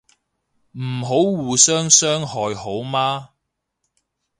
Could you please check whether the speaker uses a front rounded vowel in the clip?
yes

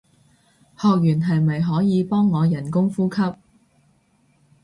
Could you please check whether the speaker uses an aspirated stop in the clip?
yes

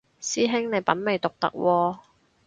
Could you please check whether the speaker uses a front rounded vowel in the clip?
no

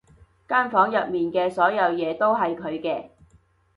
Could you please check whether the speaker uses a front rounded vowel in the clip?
no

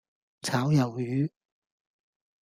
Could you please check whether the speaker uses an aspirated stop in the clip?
yes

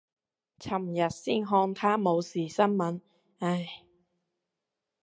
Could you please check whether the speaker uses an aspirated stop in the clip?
yes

